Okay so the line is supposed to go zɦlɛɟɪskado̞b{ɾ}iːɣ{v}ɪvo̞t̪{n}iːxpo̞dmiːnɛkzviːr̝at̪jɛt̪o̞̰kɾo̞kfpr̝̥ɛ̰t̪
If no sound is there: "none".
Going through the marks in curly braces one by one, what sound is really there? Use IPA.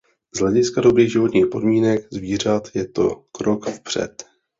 ɾ, ʒ, ɲ

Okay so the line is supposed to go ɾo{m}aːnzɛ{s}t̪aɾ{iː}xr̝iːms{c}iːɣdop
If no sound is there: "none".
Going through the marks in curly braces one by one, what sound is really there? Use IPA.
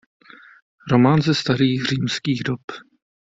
m, s, iː, k

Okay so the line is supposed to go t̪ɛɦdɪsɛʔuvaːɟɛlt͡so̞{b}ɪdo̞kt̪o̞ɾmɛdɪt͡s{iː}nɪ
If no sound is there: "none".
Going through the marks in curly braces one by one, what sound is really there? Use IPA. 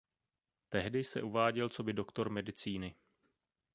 b, iː

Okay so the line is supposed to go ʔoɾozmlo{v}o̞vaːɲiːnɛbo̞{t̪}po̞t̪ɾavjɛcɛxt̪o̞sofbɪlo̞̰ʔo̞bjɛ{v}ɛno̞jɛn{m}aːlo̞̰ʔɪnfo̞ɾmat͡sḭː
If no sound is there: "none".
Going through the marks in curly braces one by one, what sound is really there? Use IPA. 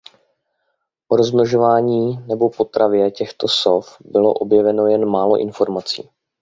ʒ, none, v, m

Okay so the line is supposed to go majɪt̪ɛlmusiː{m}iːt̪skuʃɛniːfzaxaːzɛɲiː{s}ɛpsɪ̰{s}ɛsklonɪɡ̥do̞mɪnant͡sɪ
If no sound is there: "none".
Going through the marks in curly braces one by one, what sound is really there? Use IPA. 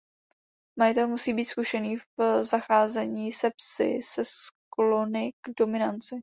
b, s, s

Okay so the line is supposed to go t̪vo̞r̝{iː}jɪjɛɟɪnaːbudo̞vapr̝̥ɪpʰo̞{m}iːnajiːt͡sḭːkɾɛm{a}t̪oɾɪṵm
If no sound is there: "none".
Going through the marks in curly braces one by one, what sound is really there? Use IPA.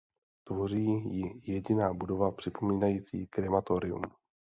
iː, m, a

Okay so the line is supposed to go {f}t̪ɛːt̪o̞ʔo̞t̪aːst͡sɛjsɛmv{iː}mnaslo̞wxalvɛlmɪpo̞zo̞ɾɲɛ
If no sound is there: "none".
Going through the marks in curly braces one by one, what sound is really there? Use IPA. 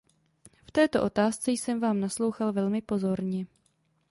f, aː

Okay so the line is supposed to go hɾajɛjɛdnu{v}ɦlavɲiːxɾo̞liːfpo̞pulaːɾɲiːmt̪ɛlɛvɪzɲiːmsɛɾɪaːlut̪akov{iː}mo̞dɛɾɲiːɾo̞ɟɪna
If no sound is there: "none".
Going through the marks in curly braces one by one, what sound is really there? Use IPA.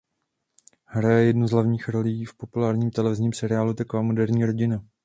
z, aː

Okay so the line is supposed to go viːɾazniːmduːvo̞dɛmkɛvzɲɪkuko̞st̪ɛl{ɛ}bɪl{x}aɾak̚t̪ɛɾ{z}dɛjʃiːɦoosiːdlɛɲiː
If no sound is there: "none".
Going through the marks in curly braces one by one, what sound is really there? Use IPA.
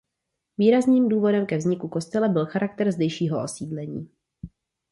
ɛ, x, z

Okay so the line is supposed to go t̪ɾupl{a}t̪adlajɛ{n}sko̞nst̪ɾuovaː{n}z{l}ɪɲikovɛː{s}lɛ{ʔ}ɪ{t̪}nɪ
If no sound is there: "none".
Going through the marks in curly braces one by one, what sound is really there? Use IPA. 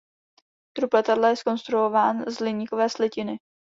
ɛ, none, n, l, s, c, none

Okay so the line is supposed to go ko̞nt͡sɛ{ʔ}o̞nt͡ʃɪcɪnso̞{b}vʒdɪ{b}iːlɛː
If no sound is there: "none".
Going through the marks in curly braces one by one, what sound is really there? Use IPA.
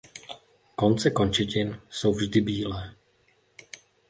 k, w, b

